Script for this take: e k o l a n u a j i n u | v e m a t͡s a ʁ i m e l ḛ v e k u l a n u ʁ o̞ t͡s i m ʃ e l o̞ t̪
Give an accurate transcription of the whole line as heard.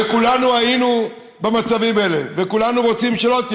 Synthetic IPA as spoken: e k u l a n u a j i n u | b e m a t͡s a v i m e l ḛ v e k u l a n u ʁ o̞ t͡s i m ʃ e l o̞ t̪